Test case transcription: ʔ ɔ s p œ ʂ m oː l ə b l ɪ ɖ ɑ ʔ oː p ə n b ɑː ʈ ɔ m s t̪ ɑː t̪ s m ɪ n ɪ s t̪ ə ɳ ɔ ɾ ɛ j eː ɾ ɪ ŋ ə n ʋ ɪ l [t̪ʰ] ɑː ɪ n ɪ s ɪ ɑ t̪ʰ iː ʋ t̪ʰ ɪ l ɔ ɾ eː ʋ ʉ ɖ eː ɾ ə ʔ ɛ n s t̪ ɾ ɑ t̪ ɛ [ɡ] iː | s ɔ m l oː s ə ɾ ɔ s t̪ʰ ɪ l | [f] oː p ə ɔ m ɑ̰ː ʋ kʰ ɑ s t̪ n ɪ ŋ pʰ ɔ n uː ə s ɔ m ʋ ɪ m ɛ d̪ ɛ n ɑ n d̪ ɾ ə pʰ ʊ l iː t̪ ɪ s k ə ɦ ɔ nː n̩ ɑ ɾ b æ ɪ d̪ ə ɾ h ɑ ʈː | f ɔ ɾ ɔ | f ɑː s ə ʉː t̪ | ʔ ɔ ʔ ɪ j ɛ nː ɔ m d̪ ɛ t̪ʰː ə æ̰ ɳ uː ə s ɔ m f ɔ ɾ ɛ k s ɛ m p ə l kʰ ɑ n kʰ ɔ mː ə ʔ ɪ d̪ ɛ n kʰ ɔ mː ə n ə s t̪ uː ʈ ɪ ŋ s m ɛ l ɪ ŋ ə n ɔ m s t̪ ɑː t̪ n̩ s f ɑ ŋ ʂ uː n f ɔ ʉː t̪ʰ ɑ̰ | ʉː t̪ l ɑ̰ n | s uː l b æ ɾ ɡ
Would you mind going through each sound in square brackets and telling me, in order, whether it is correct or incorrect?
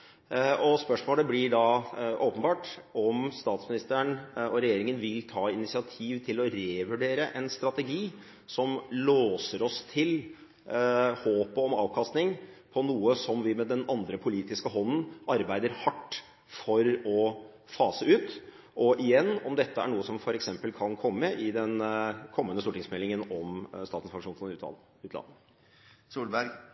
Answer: correct, correct, incorrect: h

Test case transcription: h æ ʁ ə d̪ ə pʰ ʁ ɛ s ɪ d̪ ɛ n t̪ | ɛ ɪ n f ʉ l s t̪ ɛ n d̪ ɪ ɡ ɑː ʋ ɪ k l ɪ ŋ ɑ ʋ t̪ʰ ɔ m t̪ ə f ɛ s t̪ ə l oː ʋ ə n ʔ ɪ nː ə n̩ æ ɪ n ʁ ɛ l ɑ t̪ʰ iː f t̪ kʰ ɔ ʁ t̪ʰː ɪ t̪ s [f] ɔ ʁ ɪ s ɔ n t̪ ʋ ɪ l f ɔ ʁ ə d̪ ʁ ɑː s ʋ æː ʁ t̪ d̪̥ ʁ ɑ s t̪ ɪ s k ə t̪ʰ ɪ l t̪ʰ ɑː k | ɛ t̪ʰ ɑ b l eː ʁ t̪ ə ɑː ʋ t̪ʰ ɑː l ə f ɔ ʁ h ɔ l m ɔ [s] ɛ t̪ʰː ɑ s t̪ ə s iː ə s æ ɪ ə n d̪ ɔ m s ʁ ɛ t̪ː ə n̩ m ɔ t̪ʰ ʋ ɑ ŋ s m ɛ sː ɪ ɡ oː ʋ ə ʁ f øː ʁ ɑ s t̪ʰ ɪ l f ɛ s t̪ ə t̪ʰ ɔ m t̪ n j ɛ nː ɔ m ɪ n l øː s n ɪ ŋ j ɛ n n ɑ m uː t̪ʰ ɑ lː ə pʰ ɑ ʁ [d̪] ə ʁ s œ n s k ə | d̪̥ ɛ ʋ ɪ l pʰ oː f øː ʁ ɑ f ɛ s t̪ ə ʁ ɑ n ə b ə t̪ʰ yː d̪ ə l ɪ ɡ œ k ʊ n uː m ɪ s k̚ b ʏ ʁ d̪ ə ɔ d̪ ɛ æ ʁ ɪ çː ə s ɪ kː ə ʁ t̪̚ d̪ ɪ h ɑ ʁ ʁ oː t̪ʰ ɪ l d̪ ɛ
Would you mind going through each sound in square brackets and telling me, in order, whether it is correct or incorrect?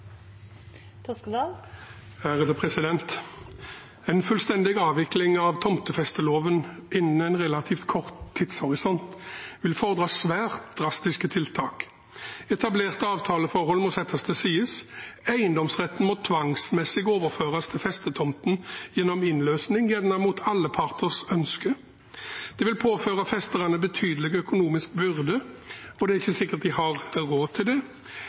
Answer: incorrect: h, correct, incorrect: t̪

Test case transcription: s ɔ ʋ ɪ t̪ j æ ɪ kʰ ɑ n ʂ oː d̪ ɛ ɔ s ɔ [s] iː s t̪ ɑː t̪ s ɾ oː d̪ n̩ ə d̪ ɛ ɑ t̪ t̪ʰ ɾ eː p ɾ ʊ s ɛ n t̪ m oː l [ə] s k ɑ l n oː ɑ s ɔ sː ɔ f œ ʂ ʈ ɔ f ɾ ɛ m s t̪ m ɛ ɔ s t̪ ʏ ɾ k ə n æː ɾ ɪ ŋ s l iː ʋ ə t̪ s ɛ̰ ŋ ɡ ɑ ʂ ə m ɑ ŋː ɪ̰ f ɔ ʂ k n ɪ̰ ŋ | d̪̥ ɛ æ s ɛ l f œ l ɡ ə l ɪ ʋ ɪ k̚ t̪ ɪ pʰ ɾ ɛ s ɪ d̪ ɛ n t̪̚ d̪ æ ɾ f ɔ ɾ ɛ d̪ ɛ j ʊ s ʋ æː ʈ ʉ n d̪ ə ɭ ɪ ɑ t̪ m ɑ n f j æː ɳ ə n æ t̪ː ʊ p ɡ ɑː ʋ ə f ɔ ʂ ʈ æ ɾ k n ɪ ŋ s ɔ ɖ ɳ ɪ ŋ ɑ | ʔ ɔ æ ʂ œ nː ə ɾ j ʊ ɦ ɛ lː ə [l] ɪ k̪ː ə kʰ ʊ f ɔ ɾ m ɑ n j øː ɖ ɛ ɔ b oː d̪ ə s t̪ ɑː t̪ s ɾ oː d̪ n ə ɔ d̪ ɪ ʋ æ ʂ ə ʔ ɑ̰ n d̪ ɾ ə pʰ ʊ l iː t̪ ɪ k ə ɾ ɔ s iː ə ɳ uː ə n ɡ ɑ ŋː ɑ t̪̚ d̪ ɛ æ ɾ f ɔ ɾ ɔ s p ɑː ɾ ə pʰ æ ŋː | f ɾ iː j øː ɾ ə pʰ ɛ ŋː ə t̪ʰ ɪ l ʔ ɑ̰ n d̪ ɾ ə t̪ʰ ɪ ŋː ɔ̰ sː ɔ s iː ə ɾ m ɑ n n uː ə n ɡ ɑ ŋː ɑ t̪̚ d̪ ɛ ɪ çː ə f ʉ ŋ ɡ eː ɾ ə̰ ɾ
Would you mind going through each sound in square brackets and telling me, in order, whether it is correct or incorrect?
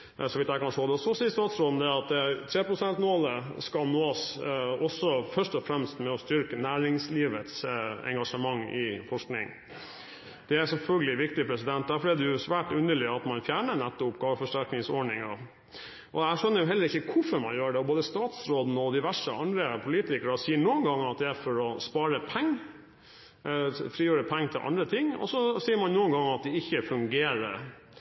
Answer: correct, correct, incorrect: ɾ

